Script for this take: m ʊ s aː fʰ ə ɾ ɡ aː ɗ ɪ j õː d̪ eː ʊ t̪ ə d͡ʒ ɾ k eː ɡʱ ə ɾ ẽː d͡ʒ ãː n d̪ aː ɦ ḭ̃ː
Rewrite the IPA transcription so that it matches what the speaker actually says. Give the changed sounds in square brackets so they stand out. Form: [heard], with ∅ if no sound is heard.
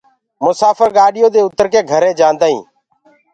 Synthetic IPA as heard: m ʊ s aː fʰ ə ɾ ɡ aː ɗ ɪ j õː d̪ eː ʊ t̪ ə [∅] ɾ k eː ɡʱ ə ɾ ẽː d͡ʒ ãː n d̪ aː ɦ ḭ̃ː